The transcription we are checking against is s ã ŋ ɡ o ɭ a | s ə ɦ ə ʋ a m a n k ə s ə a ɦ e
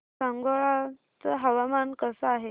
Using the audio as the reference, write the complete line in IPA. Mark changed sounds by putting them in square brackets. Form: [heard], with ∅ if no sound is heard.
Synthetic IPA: s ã ŋ ɡ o ɭ a | [t͡s] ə ɦ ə ʋ a m a n k ə s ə a ɦ e